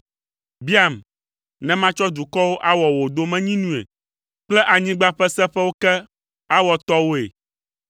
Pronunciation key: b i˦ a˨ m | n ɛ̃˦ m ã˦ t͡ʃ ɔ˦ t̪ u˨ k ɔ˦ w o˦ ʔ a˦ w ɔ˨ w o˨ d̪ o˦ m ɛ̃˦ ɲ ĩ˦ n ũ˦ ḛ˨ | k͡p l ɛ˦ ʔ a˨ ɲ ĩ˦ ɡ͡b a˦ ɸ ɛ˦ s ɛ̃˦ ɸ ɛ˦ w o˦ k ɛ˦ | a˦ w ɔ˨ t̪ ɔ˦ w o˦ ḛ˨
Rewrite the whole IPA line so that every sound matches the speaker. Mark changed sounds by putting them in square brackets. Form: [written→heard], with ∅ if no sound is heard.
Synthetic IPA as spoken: b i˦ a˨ m | n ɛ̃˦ m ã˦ t͡ʃ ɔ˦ [t̪→d̪] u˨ k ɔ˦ w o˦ ʔ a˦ w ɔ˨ w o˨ d̪ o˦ m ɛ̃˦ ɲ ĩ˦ n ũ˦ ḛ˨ | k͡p l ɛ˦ ʔ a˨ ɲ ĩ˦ ɡ͡b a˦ ɸ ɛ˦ s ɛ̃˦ ɸ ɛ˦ w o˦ k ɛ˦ | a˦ w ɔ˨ t̪ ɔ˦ w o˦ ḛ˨